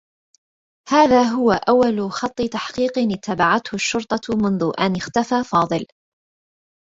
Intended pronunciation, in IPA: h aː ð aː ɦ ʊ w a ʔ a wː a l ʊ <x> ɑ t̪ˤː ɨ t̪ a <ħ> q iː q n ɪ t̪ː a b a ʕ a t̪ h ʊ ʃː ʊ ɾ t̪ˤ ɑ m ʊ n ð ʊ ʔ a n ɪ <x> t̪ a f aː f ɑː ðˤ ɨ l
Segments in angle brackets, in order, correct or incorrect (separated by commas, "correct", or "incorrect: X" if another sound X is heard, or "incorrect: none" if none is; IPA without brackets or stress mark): correct, correct, correct